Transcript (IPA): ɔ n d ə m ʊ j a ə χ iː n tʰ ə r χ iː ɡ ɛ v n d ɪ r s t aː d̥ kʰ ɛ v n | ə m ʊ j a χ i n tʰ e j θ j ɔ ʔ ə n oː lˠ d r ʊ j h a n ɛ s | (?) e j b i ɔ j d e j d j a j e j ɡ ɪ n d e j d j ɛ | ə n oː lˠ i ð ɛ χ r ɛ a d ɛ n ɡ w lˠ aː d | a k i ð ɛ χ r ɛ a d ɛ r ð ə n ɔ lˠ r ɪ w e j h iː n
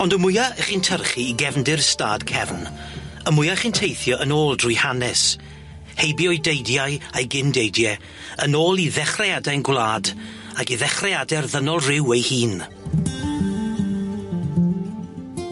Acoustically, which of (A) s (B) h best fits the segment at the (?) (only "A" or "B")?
B